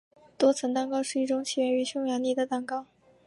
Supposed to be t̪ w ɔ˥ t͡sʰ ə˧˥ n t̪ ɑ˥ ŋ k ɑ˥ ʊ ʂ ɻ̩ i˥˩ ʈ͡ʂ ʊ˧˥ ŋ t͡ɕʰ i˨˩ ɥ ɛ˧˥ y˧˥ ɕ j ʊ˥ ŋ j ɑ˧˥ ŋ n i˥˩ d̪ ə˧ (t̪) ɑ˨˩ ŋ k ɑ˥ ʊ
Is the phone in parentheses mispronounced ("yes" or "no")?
no